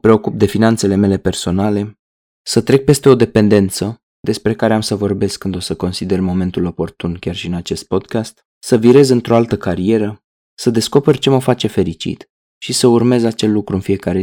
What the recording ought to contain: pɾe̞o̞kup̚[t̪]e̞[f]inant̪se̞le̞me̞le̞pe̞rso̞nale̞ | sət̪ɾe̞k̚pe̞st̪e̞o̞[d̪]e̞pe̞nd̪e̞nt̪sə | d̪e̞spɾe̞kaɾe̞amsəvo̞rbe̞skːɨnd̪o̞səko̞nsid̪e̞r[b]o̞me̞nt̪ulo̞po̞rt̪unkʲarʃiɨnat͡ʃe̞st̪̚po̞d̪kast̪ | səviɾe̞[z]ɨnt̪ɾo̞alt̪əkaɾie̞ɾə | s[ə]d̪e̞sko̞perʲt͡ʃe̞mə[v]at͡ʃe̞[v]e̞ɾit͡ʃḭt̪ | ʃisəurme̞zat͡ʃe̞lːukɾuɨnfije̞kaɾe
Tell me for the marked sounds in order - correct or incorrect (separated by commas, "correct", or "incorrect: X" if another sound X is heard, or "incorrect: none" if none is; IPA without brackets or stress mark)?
incorrect: d̪, correct, correct, incorrect: m, correct, correct, incorrect: f, incorrect: f